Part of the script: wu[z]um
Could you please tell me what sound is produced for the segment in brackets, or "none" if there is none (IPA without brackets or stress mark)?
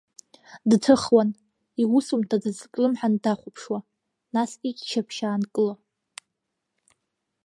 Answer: s